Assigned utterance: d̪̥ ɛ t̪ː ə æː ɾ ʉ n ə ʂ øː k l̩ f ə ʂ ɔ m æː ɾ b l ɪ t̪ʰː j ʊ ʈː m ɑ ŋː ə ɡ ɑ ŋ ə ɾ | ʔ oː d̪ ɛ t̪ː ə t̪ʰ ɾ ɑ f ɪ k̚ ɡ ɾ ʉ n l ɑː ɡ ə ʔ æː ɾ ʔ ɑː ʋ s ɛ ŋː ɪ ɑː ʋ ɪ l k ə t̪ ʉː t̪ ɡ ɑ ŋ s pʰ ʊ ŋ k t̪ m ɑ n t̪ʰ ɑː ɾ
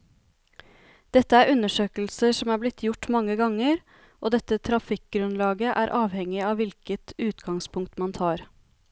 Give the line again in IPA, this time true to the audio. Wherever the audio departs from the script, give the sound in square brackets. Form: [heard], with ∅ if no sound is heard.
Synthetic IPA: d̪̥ ɛ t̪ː ə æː ɾ ʉ n ə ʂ øː k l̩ [s] ə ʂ ɔ m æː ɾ b l ɪ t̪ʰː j ʊ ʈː m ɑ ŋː ə ɡ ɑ ŋ ə ɾ | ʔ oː d̪ ɛ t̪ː ə t̪ʰ ɾ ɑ f ɪ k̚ ɡ ɾ ʉ n l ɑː ɡ ə ʔ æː ɾ ʔ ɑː ʋ [h] ɛ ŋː ɪ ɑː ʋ ɪ l k ə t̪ ʉː t̪ ɡ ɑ ŋ s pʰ ʊ ŋ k t̪ m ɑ n t̪ʰ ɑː ɾ